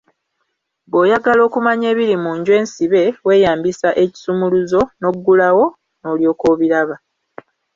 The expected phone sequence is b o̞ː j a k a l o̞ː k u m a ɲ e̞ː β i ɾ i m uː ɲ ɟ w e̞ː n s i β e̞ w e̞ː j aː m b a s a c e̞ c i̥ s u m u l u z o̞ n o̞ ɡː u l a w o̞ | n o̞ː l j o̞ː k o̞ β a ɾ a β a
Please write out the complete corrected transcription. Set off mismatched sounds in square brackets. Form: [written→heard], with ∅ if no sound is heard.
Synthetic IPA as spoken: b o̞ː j a [k→ɡ] a l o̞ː k u m a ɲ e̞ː β i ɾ i m uː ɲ ɟ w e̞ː n s i β e̞ w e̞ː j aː m b [a→i] s a [c→ʔ] e̞ c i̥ s u m u l u z o̞ n o̞ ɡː u l a w o̞ | n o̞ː l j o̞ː k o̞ β [a→i] ɾ a β a